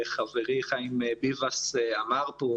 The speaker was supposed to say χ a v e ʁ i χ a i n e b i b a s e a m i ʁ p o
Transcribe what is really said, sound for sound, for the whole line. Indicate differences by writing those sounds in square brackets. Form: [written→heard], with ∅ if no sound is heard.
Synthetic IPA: χ a v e ʁ i χ a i [n→m] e b i [b→v] a s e a m [i→a] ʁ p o